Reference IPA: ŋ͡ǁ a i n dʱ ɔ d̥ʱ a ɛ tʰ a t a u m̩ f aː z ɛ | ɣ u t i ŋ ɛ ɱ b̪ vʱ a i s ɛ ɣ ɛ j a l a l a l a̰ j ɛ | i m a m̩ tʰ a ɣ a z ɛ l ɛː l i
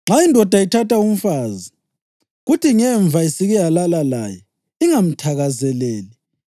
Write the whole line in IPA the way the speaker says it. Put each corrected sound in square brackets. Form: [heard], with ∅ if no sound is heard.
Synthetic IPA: ŋ͡ǁ a i n dʱ ɔ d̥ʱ a [i] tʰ a t a u m̩ f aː z [i] | ɣ u t i ŋ ɛ ɱ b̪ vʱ a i s [i] ɣ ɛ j a l a l a l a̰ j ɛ | i [ŋ] a m̩ tʰ a ɣ a z ɛ l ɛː l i